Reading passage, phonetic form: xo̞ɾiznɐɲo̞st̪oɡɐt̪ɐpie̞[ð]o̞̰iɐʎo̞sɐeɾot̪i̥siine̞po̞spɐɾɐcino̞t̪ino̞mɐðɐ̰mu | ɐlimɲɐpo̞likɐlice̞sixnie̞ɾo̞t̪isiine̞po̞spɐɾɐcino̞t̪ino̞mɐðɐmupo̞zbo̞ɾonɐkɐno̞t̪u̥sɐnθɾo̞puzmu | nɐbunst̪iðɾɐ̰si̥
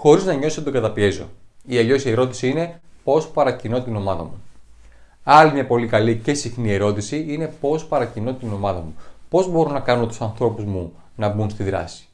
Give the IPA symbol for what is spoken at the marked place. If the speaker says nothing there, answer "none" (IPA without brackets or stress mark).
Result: z